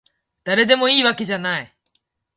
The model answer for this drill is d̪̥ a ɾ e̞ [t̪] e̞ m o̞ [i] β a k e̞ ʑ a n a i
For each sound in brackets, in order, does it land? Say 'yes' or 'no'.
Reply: no, no

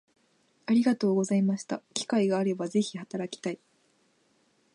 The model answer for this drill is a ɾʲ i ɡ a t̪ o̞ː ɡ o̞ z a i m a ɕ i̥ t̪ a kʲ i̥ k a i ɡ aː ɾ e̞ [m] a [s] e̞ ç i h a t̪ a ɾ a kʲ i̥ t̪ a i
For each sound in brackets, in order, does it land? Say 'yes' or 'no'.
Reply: no, no

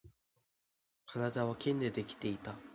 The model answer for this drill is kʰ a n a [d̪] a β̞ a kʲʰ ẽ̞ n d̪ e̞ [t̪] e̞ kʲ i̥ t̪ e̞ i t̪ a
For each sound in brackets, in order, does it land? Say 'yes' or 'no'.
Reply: yes, no

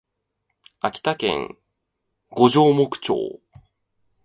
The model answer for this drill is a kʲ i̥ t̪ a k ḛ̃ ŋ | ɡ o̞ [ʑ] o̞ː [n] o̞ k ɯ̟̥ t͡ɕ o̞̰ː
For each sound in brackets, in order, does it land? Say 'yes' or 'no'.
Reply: yes, no

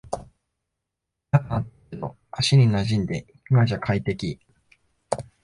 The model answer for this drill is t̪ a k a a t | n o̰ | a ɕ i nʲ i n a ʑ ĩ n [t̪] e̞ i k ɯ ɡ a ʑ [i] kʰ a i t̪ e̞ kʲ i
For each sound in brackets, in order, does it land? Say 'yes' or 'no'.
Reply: no, no

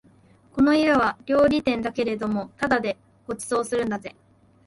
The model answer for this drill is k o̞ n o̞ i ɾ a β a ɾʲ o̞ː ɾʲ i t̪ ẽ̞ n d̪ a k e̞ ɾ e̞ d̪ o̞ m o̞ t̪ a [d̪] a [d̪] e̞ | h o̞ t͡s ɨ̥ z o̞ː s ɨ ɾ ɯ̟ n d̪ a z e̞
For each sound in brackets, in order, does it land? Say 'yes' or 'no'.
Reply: yes, yes

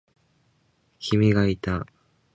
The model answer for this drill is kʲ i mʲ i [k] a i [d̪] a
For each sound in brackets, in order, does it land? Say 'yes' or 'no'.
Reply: no, no

